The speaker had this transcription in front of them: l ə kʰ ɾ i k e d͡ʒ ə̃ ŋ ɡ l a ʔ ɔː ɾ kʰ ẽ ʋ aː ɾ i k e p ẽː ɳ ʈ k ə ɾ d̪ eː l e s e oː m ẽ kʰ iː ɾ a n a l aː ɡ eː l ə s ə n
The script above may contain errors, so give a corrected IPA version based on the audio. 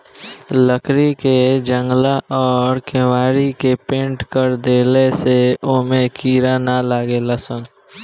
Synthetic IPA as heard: l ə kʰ ɾ i k e d͡ʒ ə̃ ŋ ɡ l a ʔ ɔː ɾ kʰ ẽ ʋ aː ɾ i k e p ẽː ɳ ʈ k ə ɾ d̪ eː l e s e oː m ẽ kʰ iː ɾ a n a l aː ɡ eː l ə s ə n